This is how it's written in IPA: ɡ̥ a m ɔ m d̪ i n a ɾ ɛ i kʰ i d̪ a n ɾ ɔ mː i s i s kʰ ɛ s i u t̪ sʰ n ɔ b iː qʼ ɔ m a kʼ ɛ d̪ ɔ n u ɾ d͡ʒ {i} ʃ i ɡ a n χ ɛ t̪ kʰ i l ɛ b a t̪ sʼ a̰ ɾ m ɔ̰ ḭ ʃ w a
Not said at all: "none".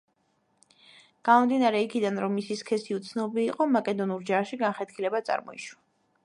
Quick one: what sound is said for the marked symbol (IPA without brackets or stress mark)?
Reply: a